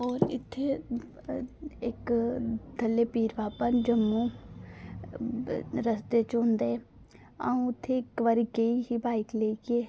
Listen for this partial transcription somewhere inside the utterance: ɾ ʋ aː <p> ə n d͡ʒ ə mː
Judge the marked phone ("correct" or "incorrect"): correct